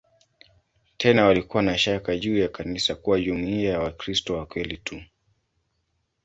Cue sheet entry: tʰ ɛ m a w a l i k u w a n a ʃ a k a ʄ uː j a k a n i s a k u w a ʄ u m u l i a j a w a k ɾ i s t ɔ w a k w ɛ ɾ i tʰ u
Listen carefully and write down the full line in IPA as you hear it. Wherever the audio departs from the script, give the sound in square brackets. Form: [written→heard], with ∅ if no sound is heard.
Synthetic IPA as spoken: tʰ ɛ [m→n] a w a l i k u w a n a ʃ a k a ʄ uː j a k a n i s a k u w a ʄ u m u [l→∅] i a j a w a k ɾ i s t ɔ w a k w ɛ [ɾ→l] i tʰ u